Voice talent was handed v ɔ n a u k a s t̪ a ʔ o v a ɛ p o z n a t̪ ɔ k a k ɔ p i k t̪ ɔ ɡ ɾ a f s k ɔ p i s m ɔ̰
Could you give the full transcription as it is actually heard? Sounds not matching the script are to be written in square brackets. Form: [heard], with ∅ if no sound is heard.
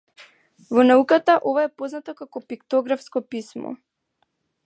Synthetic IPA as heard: v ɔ n a u k a [∅] t̪ a ʔ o v a ɛ p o z n a t̪ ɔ k a k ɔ p i k t̪ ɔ ɡ ɾ a f s k ɔ p i s m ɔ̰